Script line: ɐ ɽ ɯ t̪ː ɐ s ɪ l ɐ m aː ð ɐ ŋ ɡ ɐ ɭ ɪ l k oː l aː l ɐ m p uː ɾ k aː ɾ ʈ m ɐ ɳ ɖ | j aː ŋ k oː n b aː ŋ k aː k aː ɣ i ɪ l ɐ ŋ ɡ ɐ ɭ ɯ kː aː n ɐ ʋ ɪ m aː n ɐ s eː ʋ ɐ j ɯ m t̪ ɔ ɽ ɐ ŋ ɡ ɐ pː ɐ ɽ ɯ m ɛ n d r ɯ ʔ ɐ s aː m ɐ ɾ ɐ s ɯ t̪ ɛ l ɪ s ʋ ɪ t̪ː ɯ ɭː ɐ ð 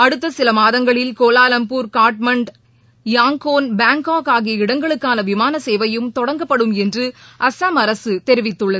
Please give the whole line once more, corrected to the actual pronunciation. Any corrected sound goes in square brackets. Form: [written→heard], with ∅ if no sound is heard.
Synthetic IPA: ɐ ɽ ɯ t̪ː ɐ s ɪ l ɐ m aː ð ɐ ŋ ɡ ɐ ɭ ɪ l k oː l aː l ɐ m p uː ɾ k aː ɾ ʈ m ɐ ɳ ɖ | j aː ŋ k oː n b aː ŋ k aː k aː ɣ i ɪ [l→ɽ] ɐ ŋ ɡ ɐ ɭ ɯ kː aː n ɐ ʋ ɪ m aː n ɐ s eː ʋ ɐ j ɯ m t̪ ɔ ɽ ɐ ŋ ɡ ɐ pː ɐ ɽ ɯ m ɛ n d r ɯ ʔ ɐ s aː m ɐ ɾ ɐ s ɯ t̪ ɛ [l→ɾ] ɪ [s→∅] ʋ ɪ t̪ː ɯ ɭː ɐ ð